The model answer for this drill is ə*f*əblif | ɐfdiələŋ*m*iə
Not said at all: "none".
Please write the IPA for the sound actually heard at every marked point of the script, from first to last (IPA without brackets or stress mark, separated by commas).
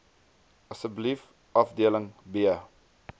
s, b